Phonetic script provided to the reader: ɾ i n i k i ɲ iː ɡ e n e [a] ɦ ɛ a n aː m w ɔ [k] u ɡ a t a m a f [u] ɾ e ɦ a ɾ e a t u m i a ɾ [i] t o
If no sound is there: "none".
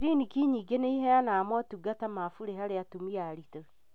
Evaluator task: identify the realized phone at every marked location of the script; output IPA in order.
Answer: i, t, u, i

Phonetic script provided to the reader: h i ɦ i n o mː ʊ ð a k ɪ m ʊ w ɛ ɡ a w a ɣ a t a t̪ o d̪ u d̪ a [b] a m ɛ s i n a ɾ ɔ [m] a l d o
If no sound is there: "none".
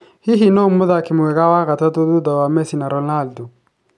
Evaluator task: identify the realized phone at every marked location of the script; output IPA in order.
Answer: w, n

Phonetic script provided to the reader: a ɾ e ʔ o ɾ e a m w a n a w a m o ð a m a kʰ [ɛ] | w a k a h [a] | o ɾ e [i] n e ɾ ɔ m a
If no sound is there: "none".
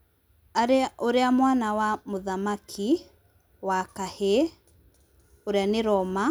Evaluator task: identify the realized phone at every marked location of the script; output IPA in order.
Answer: i, e, a

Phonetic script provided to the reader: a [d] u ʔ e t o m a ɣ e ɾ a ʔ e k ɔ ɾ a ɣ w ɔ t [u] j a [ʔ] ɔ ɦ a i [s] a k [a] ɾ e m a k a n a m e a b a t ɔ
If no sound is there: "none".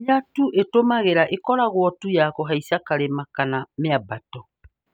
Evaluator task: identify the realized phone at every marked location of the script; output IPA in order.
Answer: t, u, k, s, a

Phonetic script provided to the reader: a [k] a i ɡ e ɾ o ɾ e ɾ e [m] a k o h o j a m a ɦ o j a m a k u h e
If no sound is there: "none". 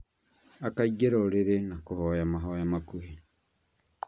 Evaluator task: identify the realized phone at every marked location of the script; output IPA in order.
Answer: k, n

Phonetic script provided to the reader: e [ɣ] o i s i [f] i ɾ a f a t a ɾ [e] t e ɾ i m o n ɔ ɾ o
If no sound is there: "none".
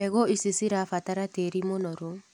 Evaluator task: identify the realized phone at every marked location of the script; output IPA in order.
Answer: ɣ, s, a

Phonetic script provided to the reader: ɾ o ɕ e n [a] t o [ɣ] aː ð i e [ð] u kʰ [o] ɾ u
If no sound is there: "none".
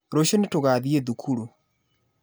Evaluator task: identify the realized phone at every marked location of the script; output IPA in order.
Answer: e, ɣ, ð, u

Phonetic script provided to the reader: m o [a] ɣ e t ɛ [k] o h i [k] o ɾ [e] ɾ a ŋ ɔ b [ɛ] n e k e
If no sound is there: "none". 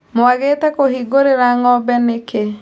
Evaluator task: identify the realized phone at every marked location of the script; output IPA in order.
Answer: a, k, ɡ, e, ɛ

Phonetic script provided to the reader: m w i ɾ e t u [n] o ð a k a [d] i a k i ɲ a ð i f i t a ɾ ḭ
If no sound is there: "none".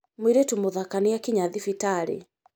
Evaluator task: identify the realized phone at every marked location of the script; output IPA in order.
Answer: m, n

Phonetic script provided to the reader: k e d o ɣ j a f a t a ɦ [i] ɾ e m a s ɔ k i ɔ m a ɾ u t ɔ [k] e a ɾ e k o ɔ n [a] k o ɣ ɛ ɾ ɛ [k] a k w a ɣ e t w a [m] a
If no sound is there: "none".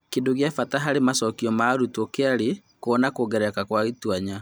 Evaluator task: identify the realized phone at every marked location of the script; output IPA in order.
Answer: a, k, a, k, ɲ

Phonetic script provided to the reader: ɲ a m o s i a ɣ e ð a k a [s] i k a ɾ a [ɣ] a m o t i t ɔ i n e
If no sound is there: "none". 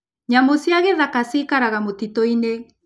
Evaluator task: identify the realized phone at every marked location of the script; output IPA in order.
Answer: s, ɣ

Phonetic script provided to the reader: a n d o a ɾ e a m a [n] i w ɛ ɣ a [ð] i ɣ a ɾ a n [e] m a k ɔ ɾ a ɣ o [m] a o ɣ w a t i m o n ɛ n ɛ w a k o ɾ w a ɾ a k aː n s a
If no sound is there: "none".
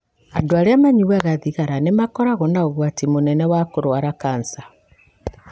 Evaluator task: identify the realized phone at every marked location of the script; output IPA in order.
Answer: ɲ, ð, e, n

